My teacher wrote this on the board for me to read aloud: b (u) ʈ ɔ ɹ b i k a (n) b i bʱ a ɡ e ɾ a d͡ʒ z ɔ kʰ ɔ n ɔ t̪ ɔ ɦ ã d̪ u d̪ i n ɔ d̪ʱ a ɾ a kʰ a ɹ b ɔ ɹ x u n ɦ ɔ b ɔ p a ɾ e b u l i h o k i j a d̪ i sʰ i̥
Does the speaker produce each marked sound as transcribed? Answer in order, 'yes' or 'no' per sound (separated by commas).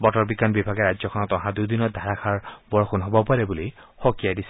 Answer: no, yes